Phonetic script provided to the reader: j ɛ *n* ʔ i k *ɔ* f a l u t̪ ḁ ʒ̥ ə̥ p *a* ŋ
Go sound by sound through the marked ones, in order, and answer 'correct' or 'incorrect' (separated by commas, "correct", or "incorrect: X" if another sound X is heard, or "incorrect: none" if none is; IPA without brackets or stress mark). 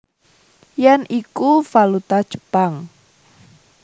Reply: correct, incorrect: u, correct